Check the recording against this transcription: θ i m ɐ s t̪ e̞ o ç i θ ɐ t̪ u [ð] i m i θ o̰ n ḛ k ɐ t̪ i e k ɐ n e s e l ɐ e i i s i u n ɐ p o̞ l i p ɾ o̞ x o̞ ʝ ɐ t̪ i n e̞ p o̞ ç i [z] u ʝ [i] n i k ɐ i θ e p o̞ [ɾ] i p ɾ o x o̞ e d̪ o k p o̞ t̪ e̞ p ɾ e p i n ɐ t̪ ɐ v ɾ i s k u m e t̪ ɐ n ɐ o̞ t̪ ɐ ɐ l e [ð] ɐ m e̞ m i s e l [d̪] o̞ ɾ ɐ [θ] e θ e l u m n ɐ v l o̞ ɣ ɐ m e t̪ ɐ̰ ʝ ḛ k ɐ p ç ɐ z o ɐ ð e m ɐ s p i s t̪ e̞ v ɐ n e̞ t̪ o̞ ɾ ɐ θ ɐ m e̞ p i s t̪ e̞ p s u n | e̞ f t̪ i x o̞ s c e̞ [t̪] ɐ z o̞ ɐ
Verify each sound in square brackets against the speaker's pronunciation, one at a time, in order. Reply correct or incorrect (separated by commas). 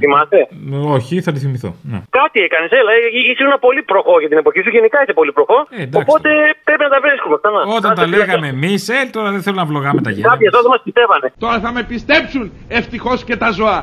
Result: incorrect, incorrect, incorrect, incorrect, incorrect, incorrect, incorrect, correct